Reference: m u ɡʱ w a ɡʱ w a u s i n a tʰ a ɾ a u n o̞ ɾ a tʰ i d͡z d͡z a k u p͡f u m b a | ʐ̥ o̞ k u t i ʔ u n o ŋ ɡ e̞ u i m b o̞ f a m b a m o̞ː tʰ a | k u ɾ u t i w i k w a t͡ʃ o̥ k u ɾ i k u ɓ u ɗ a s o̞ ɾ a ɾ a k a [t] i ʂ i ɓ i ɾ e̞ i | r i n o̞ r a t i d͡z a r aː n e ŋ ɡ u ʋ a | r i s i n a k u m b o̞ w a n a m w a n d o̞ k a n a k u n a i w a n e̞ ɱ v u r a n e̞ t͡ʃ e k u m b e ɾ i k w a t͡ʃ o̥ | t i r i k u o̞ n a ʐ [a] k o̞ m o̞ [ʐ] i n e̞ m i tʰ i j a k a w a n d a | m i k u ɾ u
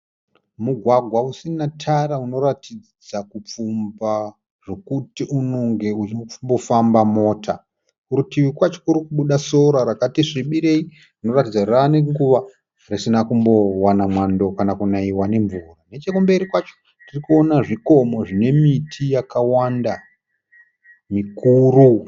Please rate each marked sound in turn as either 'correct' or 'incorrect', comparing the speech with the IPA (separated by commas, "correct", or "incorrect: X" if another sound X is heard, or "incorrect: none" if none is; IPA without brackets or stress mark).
correct, incorrect: i, correct